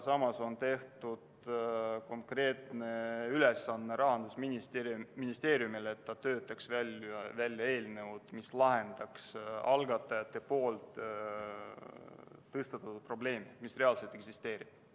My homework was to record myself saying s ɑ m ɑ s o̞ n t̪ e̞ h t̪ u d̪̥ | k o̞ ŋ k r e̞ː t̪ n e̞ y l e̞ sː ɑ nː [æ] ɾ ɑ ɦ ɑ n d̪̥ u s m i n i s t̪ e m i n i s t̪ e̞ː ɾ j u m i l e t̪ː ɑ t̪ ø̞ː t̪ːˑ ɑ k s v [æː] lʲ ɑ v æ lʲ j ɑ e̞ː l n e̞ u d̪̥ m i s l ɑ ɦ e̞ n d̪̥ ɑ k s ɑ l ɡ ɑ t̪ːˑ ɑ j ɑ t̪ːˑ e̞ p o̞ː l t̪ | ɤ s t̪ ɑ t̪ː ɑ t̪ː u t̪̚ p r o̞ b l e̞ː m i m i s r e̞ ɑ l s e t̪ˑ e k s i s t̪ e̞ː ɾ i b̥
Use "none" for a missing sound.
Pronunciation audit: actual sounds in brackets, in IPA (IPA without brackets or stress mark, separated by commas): e, æ